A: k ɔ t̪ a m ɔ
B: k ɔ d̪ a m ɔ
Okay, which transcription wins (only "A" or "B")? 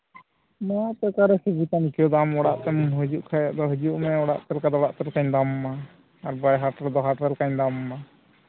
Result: B